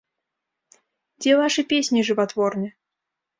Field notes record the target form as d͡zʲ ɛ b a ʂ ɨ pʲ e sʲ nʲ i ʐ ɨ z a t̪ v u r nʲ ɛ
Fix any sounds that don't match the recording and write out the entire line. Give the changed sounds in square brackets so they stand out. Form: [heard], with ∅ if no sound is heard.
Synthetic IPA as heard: d͡zʲ ɛ [v] a ʂ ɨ pʲ e sʲ nʲ i ʐ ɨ [v] a t̪ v [ɔ] r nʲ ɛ